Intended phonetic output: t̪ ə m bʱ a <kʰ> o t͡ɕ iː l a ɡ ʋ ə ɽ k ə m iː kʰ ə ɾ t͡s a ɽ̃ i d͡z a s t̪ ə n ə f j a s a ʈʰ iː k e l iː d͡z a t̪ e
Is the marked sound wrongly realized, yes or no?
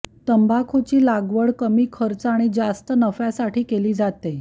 no